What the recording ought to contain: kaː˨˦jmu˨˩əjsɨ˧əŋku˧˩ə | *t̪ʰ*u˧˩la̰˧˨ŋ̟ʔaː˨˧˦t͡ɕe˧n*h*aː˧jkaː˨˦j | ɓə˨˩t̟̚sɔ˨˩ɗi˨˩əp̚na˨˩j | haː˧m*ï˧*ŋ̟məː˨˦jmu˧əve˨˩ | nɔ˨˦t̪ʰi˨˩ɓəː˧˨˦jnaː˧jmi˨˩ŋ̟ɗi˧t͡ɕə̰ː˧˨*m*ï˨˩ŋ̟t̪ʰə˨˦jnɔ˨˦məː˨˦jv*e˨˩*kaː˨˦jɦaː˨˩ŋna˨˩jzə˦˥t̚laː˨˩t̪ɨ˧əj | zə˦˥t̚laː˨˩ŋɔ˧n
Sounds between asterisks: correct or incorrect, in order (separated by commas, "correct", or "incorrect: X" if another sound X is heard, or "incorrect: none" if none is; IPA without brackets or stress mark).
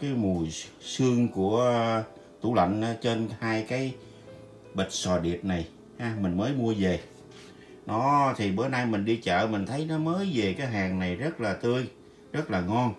incorrect: t̪, correct, incorrect: ï˨˩, correct, correct